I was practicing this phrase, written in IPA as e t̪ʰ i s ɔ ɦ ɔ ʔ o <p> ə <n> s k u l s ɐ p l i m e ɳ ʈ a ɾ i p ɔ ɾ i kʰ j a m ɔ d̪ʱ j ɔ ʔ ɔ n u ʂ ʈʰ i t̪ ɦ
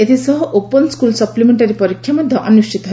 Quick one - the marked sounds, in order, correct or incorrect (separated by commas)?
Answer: correct, correct